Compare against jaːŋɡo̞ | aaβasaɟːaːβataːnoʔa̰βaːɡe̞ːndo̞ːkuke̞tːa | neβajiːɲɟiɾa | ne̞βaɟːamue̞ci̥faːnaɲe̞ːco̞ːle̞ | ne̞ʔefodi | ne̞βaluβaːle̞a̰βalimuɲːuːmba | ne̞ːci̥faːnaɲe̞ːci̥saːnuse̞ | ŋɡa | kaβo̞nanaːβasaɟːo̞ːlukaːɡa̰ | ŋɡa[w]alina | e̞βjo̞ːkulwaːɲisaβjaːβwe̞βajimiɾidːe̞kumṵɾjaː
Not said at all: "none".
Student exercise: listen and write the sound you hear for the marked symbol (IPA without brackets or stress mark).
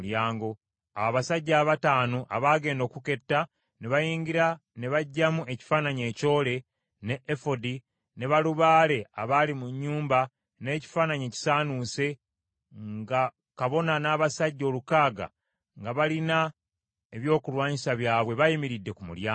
β